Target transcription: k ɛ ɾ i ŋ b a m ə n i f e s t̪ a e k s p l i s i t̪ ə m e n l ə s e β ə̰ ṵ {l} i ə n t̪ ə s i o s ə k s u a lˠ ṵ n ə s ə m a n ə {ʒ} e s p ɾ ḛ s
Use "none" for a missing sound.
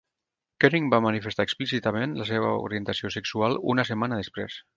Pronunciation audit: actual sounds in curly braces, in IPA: ɾ, ð

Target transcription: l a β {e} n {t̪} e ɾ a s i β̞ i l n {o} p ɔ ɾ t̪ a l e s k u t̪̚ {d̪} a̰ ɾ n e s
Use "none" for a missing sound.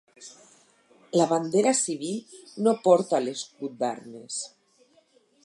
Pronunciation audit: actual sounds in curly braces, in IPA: a, d̪, o, d̪

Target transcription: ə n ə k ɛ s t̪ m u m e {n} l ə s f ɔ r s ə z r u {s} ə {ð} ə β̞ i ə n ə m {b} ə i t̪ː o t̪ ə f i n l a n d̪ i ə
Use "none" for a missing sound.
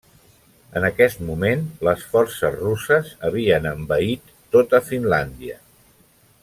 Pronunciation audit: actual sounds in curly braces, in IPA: n, s, z, b

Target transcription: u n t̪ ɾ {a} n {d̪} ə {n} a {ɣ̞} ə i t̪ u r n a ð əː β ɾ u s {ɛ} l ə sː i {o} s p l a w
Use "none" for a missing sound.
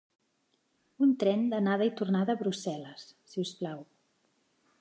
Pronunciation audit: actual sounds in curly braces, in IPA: ɛ, d̪, n, ð̞, ɛ, u

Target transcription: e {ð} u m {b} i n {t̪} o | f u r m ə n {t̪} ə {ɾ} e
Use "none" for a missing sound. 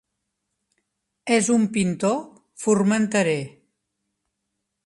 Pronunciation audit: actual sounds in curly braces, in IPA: z, p, t̪, t̪, ɾ

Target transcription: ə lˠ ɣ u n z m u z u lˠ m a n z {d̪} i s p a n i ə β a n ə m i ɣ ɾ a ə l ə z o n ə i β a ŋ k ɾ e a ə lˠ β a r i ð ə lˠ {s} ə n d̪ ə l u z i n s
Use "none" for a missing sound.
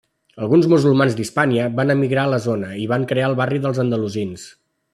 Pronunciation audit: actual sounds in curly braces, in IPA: d̪, z

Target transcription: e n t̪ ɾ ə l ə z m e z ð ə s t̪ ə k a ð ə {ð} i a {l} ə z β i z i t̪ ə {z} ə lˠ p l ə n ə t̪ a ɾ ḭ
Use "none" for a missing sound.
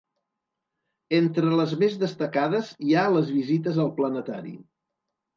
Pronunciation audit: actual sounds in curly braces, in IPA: z, l, z

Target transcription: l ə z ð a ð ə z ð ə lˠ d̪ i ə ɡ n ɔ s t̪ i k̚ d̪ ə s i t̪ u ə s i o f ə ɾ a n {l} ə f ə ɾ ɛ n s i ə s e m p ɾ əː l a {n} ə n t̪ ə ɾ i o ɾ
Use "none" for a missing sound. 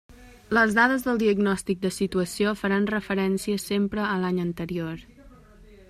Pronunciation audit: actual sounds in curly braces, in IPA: r, ɲ

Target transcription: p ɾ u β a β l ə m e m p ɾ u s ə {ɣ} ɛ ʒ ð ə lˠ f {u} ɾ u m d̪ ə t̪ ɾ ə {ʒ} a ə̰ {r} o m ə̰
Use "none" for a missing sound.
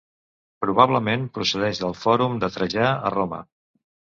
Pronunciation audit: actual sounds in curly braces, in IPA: ð, ɔ, ʒ, r

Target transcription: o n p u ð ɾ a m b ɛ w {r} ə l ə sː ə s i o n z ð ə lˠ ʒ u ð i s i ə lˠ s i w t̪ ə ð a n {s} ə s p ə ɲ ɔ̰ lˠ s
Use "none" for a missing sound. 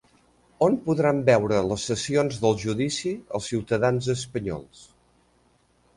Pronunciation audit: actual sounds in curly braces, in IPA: ɾ, z

